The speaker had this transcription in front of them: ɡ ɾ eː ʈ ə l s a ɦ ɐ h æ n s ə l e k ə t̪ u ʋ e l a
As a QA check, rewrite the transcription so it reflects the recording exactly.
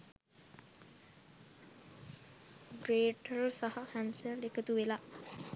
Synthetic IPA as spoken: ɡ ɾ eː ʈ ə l s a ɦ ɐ h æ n s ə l e k ə t̪ u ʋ e l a